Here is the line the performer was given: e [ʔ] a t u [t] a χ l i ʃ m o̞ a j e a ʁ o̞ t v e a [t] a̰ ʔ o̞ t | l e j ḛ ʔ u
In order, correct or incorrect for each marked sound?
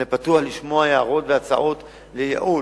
incorrect: p, incorrect: none, incorrect: t͡s

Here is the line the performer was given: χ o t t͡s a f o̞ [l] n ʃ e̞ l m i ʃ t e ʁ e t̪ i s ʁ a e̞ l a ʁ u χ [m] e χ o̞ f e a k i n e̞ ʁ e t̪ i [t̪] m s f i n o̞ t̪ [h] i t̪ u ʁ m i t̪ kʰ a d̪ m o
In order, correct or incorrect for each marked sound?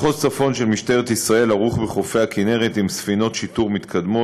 incorrect: none, incorrect: b, incorrect: none, incorrect: ʃ

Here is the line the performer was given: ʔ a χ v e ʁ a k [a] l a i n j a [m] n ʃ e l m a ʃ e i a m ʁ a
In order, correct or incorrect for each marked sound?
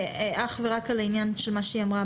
correct, incorrect: none

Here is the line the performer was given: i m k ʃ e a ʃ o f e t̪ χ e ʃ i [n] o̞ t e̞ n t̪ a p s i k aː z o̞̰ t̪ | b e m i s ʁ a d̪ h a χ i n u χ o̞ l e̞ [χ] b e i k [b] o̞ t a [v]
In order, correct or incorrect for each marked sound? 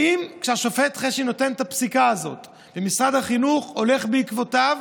correct, correct, incorrect: v, correct

